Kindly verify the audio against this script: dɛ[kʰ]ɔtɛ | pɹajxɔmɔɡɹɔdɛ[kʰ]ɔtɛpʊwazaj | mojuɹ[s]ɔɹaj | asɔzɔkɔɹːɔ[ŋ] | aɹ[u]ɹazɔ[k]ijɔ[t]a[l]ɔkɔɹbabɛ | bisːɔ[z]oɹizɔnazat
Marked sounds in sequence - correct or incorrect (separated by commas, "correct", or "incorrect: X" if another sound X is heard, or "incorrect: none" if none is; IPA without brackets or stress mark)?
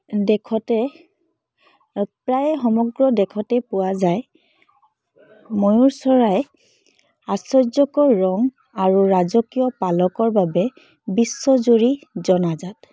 correct, correct, correct, correct, correct, correct, incorrect: p, correct, correct